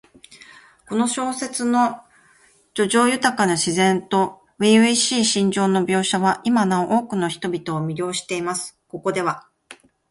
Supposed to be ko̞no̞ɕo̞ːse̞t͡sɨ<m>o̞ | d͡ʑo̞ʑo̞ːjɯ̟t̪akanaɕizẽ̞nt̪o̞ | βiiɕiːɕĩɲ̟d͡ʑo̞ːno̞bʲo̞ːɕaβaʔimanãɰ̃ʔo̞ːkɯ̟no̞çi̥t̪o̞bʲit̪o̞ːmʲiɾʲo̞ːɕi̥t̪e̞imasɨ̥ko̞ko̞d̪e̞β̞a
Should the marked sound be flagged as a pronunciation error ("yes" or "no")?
yes